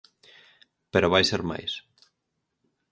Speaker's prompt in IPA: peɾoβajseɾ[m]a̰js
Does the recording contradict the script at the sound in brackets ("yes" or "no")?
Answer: no